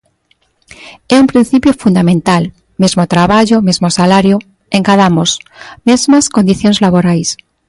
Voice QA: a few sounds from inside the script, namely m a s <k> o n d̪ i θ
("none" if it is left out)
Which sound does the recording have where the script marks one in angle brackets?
k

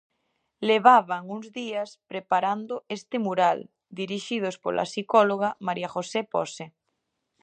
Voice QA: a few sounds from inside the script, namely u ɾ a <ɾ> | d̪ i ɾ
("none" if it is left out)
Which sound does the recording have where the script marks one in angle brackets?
l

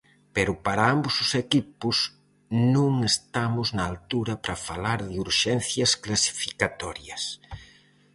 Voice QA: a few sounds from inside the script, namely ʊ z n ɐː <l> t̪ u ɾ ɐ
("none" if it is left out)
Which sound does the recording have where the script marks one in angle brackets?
l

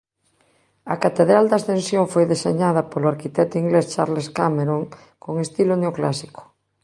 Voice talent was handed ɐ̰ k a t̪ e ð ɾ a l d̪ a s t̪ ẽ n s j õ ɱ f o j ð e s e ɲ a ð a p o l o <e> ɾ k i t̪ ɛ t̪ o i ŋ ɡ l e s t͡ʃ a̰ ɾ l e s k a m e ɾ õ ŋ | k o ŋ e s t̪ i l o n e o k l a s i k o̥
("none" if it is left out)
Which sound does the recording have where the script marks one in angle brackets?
a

